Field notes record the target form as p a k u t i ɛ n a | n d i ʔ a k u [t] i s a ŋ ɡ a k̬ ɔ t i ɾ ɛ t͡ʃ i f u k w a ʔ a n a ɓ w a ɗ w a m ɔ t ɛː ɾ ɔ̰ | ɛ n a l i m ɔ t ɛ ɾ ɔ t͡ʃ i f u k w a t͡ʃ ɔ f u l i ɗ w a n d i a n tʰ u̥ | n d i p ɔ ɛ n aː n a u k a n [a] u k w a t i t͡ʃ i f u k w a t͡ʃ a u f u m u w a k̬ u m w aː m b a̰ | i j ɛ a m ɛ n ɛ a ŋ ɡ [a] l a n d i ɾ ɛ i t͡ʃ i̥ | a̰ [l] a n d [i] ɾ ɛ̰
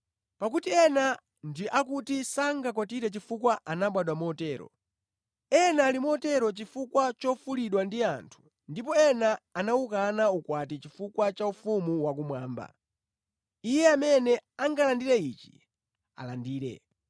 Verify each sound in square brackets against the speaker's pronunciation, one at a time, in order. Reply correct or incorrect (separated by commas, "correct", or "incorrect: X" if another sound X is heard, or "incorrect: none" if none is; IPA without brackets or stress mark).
correct, correct, correct, correct, incorrect: iː